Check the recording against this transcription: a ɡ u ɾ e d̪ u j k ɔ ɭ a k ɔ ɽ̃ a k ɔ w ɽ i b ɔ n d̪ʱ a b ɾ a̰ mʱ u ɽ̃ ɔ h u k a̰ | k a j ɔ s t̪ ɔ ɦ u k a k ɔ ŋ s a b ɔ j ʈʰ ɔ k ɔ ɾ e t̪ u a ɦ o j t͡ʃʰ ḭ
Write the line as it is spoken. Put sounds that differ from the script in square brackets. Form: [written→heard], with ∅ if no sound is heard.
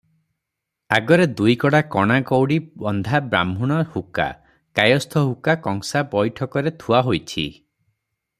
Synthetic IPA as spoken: a ɡ [u→ɔ] ɾ e d̪ u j k ɔ [ɭ→ɽ] a k ɔ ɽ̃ a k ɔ w ɽ i b ɔ n d̪ʱ a b ɾ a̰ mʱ u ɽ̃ ɔ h u k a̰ | k a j ɔ s [t̪→t̪ʰ] ɔ ɦ u k a k ɔ ŋ s a b ɔ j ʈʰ ɔ k ɔ ɾ e [t̪→t̪ʰ] u a ɦ o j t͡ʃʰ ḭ